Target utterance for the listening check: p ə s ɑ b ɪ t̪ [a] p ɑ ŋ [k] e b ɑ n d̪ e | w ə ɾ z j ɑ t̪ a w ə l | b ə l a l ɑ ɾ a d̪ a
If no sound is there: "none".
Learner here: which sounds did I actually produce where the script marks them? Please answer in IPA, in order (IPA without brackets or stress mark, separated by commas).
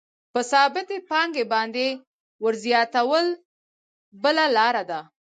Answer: e, ɡ